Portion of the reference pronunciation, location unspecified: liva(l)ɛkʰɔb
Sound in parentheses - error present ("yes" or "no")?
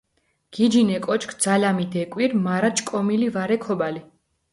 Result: yes